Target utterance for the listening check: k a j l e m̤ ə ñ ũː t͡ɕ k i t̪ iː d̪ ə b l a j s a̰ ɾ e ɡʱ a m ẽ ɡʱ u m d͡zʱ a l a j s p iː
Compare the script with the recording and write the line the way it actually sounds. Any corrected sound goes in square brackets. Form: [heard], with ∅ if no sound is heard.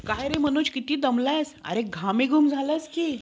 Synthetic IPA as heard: k a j [ɾ] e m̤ ə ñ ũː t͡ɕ k i t̪ iː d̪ ə [m] l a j s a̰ ɾ e ɡʱ a m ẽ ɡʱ u m d͡zʱ a l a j s [k] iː